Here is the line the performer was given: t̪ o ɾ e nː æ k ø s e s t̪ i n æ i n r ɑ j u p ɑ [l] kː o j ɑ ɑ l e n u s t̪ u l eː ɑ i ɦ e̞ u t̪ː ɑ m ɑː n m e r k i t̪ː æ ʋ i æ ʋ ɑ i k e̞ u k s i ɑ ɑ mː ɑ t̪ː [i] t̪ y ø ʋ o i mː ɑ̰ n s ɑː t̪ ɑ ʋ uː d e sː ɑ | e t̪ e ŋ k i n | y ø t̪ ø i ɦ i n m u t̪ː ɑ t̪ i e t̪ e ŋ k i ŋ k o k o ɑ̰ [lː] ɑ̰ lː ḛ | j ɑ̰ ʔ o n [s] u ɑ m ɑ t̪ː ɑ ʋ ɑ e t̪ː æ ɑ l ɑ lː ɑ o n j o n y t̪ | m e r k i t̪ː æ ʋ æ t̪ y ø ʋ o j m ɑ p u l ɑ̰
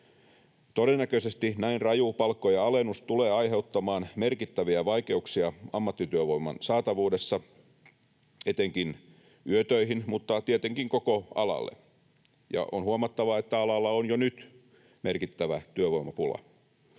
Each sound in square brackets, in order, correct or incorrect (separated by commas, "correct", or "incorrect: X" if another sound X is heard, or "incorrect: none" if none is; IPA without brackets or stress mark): correct, correct, incorrect: l, incorrect: h